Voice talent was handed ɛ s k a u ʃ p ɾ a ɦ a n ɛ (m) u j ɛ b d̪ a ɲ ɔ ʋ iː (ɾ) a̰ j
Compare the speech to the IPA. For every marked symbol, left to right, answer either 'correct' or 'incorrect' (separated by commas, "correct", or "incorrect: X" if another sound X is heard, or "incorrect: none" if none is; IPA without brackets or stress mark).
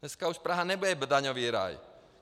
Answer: incorrect: b, correct